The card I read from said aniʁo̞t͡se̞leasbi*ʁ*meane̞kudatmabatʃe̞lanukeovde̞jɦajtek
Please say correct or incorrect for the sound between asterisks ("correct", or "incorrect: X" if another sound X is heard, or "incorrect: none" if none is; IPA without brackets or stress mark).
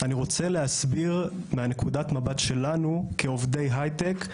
correct